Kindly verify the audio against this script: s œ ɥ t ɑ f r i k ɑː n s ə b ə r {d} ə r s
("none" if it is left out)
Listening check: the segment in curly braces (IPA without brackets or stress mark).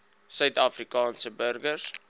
ɡ